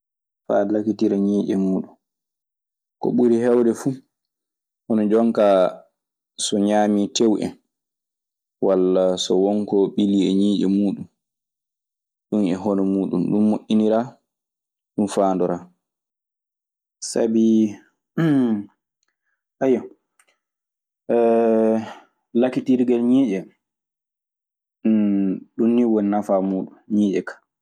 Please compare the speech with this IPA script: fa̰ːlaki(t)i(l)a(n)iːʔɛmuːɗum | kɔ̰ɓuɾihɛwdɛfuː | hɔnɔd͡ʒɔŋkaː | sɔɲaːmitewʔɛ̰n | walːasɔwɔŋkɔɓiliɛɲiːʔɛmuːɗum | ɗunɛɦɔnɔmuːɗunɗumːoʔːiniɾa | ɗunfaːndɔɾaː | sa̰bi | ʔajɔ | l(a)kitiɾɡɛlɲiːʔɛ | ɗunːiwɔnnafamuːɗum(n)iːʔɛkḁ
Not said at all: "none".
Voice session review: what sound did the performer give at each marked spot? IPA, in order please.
t, ɾ, ɲ, a, ɲ

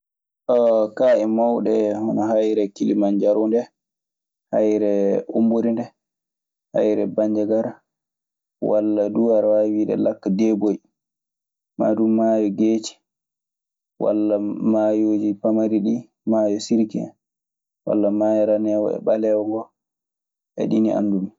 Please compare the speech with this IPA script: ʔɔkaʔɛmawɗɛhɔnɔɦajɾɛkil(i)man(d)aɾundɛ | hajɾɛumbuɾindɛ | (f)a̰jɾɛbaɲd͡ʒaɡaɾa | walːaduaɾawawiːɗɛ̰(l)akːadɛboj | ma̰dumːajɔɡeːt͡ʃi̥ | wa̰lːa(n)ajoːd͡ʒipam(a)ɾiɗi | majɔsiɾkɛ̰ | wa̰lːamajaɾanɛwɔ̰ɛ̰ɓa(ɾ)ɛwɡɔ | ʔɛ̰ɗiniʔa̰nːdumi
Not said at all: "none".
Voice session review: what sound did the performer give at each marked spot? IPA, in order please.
i, d͡ʒ, h, l, m, a, l

